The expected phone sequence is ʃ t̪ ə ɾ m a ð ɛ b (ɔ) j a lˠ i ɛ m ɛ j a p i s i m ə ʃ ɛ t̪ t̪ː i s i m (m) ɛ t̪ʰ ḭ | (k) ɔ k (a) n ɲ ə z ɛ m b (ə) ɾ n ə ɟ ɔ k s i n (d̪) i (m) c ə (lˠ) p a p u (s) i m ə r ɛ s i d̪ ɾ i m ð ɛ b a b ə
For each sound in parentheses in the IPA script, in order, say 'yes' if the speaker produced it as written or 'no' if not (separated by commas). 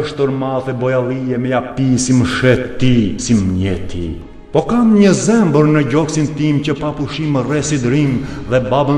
yes, no, no, yes, yes, no, yes, no, no